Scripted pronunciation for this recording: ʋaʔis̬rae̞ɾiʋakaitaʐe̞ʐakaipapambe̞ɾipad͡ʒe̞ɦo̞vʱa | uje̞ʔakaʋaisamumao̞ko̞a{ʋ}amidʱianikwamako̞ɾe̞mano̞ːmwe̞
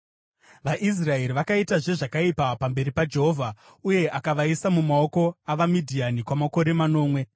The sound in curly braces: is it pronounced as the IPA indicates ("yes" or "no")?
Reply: yes